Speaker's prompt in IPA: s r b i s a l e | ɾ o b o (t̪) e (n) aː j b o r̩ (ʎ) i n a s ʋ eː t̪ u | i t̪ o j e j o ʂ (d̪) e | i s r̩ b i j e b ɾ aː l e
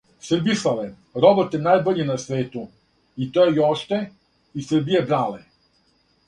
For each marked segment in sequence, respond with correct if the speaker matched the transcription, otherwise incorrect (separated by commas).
correct, correct, correct, incorrect